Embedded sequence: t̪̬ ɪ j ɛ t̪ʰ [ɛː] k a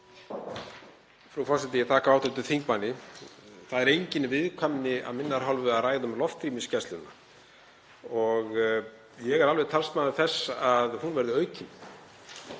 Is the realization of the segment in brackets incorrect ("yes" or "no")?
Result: yes